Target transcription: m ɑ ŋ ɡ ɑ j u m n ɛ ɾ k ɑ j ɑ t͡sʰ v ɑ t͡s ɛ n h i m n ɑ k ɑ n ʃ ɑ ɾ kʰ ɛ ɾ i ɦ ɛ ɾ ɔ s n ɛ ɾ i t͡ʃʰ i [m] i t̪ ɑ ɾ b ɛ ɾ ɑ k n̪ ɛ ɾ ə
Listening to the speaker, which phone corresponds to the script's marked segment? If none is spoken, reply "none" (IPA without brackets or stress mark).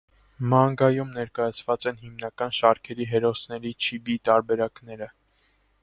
b